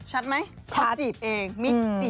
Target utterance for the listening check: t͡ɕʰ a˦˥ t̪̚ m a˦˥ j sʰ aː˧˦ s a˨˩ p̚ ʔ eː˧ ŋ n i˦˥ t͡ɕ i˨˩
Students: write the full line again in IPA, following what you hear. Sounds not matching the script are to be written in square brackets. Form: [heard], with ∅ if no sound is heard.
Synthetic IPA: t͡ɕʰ a˦˥ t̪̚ m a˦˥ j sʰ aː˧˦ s [i˨˩] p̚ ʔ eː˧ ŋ [m] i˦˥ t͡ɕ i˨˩